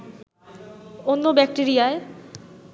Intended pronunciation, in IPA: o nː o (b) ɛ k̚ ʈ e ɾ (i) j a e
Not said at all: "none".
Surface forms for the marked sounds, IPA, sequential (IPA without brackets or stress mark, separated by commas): b, i